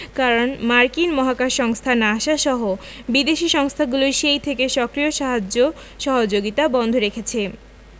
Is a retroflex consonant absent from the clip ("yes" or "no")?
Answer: yes